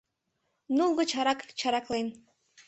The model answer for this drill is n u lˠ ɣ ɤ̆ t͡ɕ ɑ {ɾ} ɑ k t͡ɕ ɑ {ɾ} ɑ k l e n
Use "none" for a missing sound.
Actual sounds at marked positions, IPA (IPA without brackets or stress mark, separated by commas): ɾ, ɾ